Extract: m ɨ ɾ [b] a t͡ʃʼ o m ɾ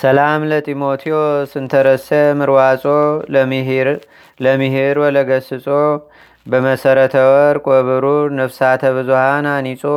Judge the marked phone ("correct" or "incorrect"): incorrect